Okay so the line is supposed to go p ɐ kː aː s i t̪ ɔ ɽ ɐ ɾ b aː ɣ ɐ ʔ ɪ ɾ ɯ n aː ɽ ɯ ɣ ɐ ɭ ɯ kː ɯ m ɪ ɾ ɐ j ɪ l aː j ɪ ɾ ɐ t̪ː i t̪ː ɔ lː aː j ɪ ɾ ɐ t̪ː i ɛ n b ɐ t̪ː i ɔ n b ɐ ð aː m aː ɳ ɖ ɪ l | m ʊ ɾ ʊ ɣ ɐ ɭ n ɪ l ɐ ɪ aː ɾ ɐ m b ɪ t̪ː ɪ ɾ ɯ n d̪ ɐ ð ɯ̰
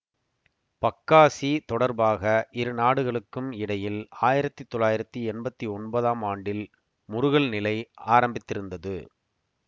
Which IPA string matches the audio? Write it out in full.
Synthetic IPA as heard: p ɐ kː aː s i t̪ ɔ ɽ ɐ ɾ b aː ɣ ɐ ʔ ɪ ɾ ɯ n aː ɽ ɯ ɣ ɐ ɭ ɯ kː ɯ m ɪ ɽ ɐ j ɪ l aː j ɪ ɾ ɐ t̪ː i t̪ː ɔ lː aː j ɪ ɾ ɐ t̪ː i ɛ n b ɐ t̪ː i ɔ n b ɐ ð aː m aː ɳ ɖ ɪ l | m ʊ ɾ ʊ ɣ ɐ ɭ n ɪ l ɐ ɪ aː ɾ ɐ m b ɪ t̪ː ɪ ɾ ɯ n d̪ ɐ ð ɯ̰